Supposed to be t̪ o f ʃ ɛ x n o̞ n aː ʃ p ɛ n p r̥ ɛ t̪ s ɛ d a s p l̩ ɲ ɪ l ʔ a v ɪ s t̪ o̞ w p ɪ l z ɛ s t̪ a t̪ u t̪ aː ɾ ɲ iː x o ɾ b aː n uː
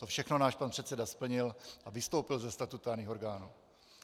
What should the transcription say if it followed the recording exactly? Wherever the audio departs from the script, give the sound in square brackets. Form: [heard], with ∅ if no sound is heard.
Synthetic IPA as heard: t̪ o f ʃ ɛ x n o̞ n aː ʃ p [a] n p r̥ ɛ t̪ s ɛ d a s p l̩ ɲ ɪ l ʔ a v ɪ s t̪ o̞ w p ɪ l z ɛ s t̪ a t̪ u t̪ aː ɾ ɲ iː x o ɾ [ɡ] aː n uː